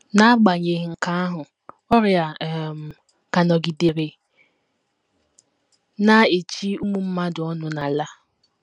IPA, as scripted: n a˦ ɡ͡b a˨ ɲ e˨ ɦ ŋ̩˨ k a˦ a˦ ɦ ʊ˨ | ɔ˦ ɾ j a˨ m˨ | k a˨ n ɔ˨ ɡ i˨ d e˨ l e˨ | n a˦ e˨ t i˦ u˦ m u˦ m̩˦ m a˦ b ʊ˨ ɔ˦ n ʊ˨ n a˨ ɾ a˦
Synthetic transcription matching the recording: n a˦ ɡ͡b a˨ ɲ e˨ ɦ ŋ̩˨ k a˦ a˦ ɦ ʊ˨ | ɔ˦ ɾ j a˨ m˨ | k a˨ n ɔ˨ ɡ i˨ d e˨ ɾ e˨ | n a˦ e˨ t͡ʃ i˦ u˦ m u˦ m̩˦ m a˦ d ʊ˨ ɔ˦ n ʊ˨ n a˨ l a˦